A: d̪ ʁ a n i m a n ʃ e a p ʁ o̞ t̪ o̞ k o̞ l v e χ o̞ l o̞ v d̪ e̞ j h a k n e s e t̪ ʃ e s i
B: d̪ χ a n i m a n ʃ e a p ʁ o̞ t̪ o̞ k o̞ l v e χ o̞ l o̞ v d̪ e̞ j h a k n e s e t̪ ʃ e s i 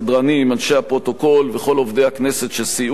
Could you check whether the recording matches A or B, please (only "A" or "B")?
A